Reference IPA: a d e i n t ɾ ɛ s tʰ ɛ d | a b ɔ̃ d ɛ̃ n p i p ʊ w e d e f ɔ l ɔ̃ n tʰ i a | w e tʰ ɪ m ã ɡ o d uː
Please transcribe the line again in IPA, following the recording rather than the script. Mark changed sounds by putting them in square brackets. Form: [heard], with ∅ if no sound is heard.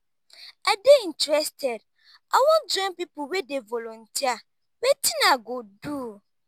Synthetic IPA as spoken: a d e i n t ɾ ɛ s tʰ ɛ d | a [w] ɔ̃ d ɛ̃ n p i p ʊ w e d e [v] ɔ l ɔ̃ n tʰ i a | w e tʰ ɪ [n] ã ɡ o d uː